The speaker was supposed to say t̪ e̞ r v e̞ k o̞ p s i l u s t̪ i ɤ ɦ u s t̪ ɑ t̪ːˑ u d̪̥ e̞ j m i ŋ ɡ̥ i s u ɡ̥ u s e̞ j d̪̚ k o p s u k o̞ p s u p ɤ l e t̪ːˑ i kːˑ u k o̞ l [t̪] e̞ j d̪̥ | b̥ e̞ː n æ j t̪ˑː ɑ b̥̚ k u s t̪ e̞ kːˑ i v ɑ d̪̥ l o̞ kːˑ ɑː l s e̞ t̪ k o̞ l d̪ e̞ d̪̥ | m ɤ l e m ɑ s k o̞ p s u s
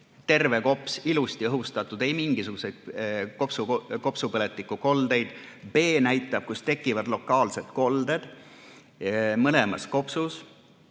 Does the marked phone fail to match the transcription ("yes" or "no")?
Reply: yes